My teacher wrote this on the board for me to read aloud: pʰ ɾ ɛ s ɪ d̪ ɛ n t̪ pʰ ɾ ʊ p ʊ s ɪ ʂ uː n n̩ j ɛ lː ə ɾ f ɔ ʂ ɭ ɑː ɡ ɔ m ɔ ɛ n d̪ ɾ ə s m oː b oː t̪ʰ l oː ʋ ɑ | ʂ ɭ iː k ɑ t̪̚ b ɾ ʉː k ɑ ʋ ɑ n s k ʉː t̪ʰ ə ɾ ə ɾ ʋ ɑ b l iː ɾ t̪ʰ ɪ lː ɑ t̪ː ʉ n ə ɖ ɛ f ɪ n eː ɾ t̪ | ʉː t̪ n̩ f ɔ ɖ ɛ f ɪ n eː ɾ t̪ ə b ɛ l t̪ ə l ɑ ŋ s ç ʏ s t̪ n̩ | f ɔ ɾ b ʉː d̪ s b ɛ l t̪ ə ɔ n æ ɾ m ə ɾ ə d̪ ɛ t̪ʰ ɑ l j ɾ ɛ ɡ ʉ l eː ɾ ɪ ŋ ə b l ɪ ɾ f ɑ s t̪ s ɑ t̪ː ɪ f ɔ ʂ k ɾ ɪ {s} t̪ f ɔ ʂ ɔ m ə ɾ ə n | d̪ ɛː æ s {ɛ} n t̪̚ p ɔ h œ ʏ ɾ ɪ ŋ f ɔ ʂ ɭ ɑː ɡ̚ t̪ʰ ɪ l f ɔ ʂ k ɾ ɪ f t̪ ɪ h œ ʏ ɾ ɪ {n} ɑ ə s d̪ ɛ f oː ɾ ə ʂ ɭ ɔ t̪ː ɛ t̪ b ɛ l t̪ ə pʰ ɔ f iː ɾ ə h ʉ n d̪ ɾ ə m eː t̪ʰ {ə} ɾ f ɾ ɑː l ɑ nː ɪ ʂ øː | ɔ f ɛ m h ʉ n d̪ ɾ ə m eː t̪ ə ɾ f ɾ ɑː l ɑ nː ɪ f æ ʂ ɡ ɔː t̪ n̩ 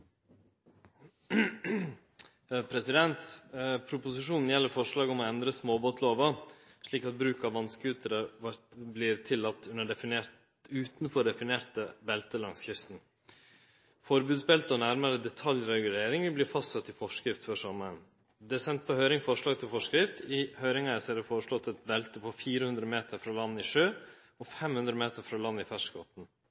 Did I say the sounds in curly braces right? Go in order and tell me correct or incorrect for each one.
incorrect: f, correct, incorrect: ŋ, correct

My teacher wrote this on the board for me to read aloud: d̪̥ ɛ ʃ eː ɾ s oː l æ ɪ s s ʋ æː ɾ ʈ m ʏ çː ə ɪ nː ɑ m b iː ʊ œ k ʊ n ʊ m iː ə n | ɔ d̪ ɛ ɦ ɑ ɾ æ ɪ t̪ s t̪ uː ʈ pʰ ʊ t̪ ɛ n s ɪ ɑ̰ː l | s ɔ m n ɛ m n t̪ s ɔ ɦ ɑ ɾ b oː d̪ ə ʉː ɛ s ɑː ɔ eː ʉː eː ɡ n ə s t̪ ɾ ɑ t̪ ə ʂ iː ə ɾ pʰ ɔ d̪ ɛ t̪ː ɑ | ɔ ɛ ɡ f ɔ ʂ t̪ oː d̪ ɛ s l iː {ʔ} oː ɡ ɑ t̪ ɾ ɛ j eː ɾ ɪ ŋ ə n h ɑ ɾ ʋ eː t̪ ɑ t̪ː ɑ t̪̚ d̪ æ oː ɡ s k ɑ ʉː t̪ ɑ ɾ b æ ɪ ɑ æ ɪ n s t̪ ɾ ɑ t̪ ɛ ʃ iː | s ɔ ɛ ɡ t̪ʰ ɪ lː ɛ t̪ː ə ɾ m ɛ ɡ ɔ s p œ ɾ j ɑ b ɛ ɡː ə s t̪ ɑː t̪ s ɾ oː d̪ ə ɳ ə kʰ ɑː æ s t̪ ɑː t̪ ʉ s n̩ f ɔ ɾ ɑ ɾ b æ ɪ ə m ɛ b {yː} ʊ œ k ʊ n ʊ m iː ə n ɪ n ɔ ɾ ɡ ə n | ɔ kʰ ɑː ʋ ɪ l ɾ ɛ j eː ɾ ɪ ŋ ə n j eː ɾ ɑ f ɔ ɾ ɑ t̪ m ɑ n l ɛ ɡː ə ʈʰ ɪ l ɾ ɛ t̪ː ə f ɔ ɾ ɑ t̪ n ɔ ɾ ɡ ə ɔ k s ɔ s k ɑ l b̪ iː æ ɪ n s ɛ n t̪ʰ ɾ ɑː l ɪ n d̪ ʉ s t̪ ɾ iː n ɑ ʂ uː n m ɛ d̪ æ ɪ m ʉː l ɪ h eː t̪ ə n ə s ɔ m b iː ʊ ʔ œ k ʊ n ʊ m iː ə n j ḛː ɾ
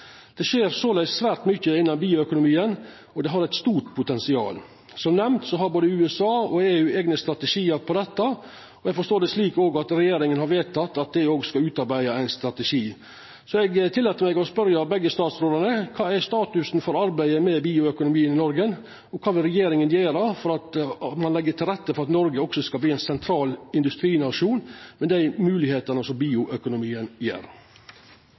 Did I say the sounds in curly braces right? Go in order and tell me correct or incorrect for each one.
incorrect: k, incorrect: iː

